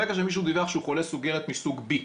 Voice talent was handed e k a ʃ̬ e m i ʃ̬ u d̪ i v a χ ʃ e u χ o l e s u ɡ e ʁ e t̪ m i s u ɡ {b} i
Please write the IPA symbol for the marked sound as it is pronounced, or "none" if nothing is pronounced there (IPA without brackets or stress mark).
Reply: b